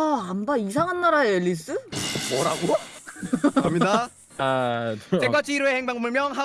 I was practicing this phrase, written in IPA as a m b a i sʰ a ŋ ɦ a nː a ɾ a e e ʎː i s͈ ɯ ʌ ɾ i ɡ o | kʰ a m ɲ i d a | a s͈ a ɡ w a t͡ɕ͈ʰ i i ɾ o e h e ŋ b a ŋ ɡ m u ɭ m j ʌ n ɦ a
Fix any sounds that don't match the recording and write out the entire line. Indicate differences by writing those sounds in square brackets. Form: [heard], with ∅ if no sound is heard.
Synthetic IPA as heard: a m b a i sʰ a ŋ ɦ a nː a ɾ a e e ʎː i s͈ ɯ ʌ ɾ [a] ɡ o | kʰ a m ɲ i d a | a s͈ [e] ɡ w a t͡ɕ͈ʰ i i ɾ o e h e ŋ b a ŋ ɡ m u ɭ m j ʌ [ŋ] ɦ a

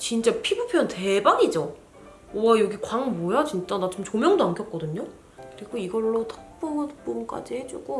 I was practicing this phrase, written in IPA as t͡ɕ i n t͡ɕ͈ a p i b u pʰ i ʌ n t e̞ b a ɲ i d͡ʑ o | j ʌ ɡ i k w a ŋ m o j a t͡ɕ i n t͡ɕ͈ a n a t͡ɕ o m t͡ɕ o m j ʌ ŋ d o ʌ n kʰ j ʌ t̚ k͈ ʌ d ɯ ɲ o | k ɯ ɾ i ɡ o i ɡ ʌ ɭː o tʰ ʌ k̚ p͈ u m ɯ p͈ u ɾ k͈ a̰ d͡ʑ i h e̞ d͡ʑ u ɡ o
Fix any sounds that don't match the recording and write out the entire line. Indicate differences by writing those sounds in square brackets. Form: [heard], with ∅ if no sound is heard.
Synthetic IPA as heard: t͡ɕ i n t͡ɕ͈ a [pʰ] i b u pʰ [j] ʌ n t e̞ b a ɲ i d͡ʑ o | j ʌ ɡ i k w a ŋ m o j a t͡ɕ i n t͡ɕ͈ a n a t͡ɕ o m t͡ɕ o m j ʌ ŋ d o [a] n kʰ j ʌ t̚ k͈ ʌ d ɯ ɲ o | k ɯ ɾ i ɡ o i ɡ ʌ ɭː o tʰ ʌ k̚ p͈ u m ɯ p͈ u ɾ k͈ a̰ d͡ʑ i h e̞ d͡ʑ u ɡ o

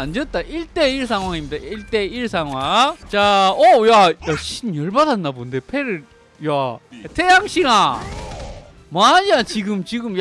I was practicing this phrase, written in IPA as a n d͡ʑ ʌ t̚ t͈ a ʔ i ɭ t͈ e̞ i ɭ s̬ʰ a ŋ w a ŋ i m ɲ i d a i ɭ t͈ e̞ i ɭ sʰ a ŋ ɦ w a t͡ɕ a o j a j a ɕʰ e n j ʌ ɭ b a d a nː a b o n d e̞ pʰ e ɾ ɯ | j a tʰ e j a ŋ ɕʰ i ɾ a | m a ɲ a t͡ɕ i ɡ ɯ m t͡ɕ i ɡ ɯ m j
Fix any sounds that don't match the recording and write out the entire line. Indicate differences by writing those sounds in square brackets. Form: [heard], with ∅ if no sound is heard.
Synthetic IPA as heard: a n d͡ʑ ʌ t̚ t͈ a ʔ i ɭ t͈ e̞ i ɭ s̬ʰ a ŋ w a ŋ i m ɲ i d a i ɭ t͈ e̞ i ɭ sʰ a ŋ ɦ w a t͡ɕ a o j a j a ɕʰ [i] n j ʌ ɭ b a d a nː a b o n d e̞ pʰ e ɾ ɯ | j a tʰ e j a ŋ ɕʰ i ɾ a | m a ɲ a t͡ɕ i ɡ ɯ m t͡ɕ i ɡ ɯ m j

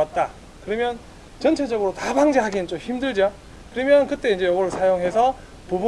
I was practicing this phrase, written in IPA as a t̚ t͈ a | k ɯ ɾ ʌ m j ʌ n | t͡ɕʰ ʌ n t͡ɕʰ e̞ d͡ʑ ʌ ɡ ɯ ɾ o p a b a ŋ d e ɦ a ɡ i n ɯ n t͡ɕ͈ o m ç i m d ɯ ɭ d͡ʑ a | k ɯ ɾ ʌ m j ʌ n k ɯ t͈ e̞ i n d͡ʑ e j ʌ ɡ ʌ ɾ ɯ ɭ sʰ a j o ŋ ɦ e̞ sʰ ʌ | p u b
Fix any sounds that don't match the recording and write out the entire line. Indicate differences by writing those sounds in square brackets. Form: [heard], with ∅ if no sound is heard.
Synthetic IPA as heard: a t̚ t͈ a | k ɯ ɾ ʌ m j ʌ n | [t͡ɕ] ʌ n t͡ɕʰ e̞ d͡ʑ ʌ ɡ ɯ ɾ o [t] a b a ŋ [d͡ʑ] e ɦ a ɡ i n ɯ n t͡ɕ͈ o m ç i m d ɯ ɭ d͡ʑ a | k ɯ ɾ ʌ m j ʌ n k ɯ t͈ e̞ i n d͡ʑ e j ʌ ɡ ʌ ɾ ɯ ɭ sʰ a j o ŋ ɦ e̞ sʰ ʌ | p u b

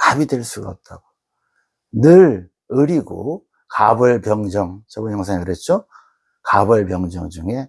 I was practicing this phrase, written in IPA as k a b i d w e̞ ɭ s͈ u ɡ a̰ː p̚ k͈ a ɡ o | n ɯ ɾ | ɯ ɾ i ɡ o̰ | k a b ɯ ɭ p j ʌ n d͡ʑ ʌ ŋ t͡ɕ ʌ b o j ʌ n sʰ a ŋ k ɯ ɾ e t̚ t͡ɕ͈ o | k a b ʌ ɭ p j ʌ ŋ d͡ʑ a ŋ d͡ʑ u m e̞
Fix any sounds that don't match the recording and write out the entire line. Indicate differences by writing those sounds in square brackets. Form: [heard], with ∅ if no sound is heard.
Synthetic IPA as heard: k a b i d w e̞ ɭ s͈ u ɡ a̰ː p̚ [t͈] a ɡ o | n ɯ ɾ | ɯ ɾ i ɡ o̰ | k a b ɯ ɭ p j ʌ [ŋ] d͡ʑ ʌ ŋ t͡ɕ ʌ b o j ʌ [ŋ] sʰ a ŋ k ɯ ɾ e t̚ t͡ɕ͈ o | k a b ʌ ɭ p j ʌ ŋ d͡ʑ [ʌ] ŋ d͡ʑ u [ŋ] e̞

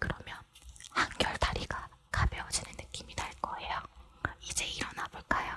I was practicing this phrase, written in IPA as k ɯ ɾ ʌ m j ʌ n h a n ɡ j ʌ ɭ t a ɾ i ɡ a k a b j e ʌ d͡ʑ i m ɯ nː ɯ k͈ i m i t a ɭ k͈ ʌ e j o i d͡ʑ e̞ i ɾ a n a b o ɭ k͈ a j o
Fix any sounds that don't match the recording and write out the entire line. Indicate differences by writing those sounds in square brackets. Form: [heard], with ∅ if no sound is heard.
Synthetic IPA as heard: k ɯ ɾ ʌ m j ʌ n h a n ɡ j ʌ ɭ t a ɾ i ɡ a k a b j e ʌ d͡ʑ i [n] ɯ nː ɯ k͈ i m i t a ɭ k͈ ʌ e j o i d͡ʑ e̞ i ɾ [ʌ] n a b o ɭ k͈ a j o

